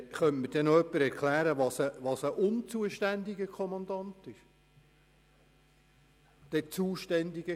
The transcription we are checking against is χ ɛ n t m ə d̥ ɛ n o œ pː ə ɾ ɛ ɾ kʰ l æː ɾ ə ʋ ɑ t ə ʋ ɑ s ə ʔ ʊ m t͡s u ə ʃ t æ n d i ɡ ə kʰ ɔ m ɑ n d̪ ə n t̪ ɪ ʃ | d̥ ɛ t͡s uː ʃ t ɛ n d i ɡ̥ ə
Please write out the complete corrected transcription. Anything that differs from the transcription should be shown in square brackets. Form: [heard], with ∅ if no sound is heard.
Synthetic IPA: χ [œ] n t m ə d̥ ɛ n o œ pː ə ɾ ɛ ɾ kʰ l æː ɾ ə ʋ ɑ [s] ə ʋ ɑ s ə ʔ ʊ [n] t͡s u ə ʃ t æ n d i ɡ ə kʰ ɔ m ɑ n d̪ [ɑ] n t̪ ɪ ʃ | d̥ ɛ t͡s uː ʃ t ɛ n d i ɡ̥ ə